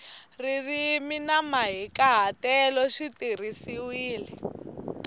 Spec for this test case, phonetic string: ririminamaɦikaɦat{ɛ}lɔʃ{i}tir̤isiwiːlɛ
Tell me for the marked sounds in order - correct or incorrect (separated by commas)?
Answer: correct, correct